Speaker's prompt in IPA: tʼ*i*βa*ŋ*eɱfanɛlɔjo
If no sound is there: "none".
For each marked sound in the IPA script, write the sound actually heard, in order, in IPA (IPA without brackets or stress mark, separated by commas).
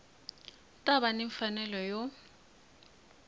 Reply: a, n